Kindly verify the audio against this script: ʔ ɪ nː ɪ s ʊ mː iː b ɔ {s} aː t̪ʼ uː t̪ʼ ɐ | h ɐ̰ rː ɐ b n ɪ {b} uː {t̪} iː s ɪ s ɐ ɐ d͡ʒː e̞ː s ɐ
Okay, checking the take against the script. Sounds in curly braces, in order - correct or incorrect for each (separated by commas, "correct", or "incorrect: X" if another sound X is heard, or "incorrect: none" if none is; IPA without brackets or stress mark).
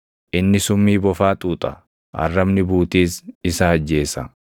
incorrect: f, correct, correct